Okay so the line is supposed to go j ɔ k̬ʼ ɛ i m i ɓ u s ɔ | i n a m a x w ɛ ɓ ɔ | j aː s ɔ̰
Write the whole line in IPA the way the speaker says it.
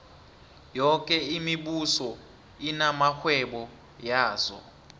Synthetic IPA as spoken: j ɔ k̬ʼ ɛ i m i ɓ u s ɔ | i n a m a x w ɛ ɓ ɔ | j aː z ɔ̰

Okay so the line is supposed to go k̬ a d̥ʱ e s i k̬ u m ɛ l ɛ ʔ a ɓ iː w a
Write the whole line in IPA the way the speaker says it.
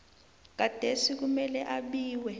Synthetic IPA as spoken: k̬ a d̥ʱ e s i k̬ u m ɛ l ɛ ʔ a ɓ iː w ɛ

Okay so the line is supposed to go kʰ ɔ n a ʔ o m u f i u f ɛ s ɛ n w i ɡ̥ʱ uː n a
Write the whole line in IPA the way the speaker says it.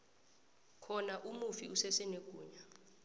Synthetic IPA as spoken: kʰ ɔ n a ʔ u m u f i u s ɛ s ɛ n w e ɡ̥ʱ uː ɲ a

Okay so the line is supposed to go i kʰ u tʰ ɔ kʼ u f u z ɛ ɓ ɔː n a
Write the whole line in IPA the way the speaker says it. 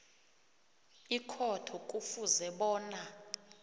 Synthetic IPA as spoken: i kʰ ɔ tʰ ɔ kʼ u f u z ɛ ɓ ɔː n a

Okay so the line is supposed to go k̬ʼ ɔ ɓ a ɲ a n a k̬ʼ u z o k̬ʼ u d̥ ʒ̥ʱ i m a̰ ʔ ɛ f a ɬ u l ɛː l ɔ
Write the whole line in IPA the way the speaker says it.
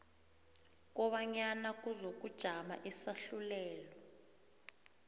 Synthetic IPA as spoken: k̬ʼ ɔ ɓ a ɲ a n a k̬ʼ u z o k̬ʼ u d̥ ʒ̥ʱ a m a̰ ʔ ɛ s a ɬ u l ɛː l ɔ

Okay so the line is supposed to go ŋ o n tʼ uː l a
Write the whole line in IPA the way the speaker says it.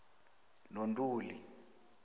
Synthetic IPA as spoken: n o n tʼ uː l i

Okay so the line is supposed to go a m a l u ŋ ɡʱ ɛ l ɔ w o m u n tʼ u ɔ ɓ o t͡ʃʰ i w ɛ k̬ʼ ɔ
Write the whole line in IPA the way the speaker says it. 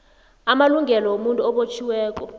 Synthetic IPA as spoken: a m a l u ŋ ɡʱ ɛ l ɔ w o m u n tʼ u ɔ ɓ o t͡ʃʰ i w ɛː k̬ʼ ɔ

